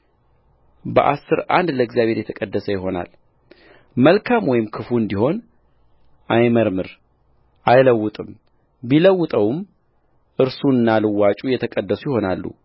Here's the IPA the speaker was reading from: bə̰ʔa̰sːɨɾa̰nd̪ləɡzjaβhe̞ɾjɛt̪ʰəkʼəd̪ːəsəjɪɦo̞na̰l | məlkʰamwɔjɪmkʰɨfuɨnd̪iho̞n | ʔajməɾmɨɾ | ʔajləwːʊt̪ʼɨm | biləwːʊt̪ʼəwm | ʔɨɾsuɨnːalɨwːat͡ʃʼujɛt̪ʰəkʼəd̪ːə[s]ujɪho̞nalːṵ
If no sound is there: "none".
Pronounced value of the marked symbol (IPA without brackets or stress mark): s